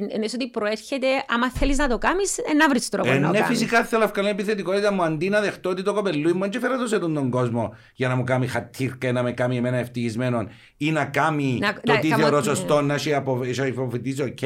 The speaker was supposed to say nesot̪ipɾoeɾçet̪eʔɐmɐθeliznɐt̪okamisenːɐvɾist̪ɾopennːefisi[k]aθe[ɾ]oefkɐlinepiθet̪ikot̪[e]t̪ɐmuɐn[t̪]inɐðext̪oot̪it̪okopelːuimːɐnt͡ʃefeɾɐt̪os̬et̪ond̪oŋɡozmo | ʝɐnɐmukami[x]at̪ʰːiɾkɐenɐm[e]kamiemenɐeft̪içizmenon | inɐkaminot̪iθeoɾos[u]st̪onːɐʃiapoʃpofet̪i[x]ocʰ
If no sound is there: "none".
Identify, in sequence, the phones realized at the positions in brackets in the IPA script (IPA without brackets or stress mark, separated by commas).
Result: k, l, i, d̪, x, e, o, s